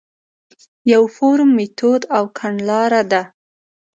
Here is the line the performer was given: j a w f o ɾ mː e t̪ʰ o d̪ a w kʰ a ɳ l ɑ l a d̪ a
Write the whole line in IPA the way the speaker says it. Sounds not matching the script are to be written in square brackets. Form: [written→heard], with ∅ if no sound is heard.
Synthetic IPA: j a w f o ɾ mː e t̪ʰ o d̪ a w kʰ a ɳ l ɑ [l→ɾ] a d̪ a